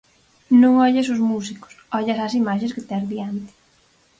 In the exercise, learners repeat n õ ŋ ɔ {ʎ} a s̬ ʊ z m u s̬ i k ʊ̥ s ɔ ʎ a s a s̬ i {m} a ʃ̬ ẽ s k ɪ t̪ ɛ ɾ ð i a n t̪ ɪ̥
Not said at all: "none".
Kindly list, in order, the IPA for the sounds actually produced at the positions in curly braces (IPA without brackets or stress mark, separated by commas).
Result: ʎ, m